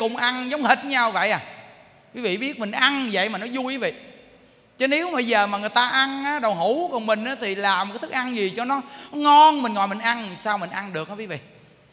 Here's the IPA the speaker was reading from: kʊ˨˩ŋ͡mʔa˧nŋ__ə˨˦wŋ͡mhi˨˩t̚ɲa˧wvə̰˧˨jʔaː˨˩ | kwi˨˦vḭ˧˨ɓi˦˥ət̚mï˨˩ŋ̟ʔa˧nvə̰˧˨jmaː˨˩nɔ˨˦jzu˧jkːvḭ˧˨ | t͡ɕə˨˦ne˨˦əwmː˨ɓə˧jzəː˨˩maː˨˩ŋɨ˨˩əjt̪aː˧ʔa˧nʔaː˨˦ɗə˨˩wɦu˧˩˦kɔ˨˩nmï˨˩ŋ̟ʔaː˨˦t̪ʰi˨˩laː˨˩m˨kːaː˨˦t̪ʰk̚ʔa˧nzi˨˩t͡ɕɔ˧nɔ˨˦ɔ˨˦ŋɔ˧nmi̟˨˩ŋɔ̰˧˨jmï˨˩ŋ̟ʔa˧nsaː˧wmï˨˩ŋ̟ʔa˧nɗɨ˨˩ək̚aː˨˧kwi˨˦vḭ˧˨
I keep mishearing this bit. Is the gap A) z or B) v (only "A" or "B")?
A